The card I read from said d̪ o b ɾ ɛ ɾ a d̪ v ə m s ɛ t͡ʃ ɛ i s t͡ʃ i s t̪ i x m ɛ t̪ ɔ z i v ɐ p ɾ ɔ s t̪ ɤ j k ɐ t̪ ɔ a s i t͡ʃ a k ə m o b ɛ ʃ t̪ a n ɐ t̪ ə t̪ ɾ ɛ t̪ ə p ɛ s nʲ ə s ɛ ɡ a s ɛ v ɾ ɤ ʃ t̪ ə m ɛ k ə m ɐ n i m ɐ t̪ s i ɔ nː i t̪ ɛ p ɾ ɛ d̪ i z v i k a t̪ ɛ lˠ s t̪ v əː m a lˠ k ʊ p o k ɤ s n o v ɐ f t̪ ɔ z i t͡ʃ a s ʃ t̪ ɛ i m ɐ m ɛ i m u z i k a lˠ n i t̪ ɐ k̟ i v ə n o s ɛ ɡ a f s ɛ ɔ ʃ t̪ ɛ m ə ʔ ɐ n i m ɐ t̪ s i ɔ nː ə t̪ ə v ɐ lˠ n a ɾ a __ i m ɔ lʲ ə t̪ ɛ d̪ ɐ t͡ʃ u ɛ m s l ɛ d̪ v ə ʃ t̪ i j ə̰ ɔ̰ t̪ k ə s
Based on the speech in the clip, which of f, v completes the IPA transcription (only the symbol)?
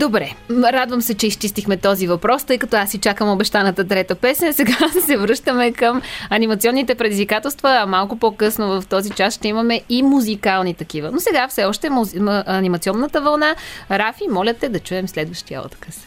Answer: f